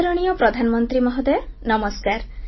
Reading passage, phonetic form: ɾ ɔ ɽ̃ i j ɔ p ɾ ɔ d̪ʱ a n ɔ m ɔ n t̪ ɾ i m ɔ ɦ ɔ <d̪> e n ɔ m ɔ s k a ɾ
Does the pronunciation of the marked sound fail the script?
no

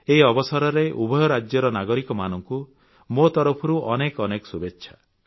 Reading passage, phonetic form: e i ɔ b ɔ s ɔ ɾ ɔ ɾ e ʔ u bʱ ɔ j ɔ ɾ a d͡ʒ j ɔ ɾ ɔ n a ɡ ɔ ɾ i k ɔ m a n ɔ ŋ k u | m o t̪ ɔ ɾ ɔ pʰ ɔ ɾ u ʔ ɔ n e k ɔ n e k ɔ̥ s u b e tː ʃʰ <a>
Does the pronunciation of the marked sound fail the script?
no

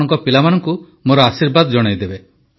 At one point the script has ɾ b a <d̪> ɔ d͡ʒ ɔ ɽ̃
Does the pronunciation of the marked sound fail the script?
no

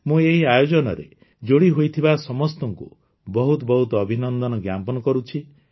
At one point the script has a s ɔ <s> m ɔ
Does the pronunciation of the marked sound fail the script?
yes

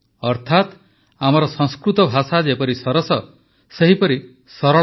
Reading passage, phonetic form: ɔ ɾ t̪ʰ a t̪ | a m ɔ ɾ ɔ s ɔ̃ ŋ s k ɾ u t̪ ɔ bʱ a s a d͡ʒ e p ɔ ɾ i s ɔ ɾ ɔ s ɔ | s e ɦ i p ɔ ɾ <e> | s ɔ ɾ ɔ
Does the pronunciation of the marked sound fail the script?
yes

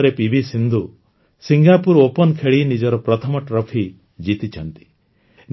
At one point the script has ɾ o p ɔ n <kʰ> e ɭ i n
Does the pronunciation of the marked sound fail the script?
no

